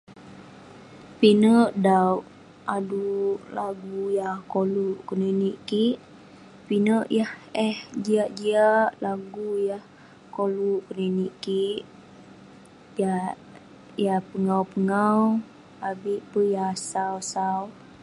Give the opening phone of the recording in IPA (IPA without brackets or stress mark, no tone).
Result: p